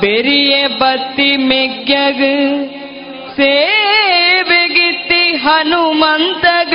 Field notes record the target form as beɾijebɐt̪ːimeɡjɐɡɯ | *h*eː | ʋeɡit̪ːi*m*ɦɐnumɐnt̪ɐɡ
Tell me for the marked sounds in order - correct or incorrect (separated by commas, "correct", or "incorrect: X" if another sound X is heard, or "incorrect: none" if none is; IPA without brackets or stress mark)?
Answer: incorrect: s, incorrect: none